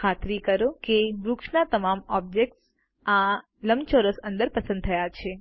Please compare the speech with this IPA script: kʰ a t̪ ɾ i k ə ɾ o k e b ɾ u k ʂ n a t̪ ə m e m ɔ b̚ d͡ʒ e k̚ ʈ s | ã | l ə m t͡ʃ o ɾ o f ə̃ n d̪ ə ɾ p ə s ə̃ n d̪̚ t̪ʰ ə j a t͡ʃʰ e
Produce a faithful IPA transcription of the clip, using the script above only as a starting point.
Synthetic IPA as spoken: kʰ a t̪ ɾ i k ə ɾ o k e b ɾ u k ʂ n a t̪ ə m a m ɔ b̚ d͡ʒ e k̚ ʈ s | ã | l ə m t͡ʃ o ɾ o s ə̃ n d̪ ə ɾ p ə s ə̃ n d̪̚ t̪ʰ ə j a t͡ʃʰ e